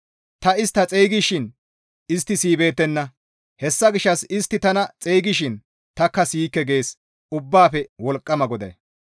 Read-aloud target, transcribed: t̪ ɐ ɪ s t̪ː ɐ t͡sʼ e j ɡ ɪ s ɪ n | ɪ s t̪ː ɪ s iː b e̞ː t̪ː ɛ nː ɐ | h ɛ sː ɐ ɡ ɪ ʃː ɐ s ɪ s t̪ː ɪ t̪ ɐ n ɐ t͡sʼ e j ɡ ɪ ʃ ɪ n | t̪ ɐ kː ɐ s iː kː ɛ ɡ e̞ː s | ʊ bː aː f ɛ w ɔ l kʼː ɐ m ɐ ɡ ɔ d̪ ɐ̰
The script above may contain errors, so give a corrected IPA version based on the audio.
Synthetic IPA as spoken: t̪ ɐ ɪ s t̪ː ɐ t͡sʼ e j ɡ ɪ ʃ ɪ n | ɪ s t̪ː ɪ s iː b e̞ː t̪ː ɛ nː ɐ | h ɛ sː ɐ ɡ ɪ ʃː ɐ s ɪ s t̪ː ɪ t̪ ɐ n ɐ t͡sʼ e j ɡ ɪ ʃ ɪ n | t̪ ɐ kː ɐ s iː kː ɛ ɡ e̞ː s | ʊ bː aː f ɛ w ɔ l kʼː ɐ m ɐ ɡ ɔ d̪ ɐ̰